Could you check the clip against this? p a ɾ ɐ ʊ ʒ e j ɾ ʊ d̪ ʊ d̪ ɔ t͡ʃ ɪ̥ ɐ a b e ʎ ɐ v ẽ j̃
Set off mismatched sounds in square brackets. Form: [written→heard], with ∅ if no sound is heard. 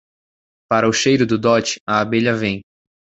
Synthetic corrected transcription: p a ɾ ɐ ʊ [ʒ→ʃ] e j ɾ ʊ d̪ ʊ d̪ ɔ t͡ʃ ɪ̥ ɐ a b e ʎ ɐ v ẽ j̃